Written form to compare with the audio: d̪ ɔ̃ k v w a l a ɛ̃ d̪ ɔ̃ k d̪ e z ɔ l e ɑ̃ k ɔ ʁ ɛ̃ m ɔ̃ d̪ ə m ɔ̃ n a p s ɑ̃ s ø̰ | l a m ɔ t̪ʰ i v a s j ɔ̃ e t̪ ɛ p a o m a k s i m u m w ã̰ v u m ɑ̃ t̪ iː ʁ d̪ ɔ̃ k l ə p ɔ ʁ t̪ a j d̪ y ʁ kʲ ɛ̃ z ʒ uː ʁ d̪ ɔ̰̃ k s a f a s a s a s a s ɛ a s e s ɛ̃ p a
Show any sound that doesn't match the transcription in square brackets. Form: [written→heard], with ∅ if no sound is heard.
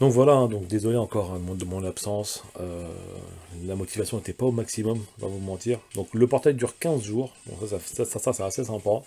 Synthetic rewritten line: d̪ ɔ̃ k v w a l a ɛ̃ d̪ ɔ̃ k d̪ e z ɔ l e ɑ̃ k ɔ ʁ ɛ̃ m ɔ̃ d̪ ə m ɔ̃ n a p s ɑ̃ s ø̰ | l a m ɔ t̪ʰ i v a s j ɔ̃ e t̪ ɛ p a o m a k s i m [u→ɔ] m [w→v] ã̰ v u m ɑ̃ t̪ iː ʁ d̪ ɔ̃ k l ə p ɔ ʁ t̪ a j d̪ y ʁ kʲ ɛ̃ z ʒ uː ʁ d̪ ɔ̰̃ k s a [f→s] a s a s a s a s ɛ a s e s ɛ̃ p a